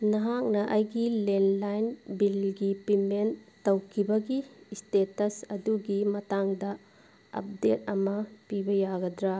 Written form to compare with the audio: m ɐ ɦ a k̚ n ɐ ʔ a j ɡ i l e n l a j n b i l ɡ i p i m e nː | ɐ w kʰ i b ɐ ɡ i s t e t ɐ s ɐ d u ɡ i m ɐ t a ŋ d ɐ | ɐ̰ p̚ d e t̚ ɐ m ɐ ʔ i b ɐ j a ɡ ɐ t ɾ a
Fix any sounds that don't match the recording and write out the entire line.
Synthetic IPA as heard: n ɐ ɦ a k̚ n ɐ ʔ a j ɡ i l e n l a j n b i l ɡ i p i m e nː | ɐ w kʰ i b ɐ ɡ i s t e t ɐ s ɐ d u ɡ i m ɐ t a ŋ d ɐ | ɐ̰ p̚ d e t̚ ɐ m ɐ p i b ɐ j a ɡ ɐ d ɾ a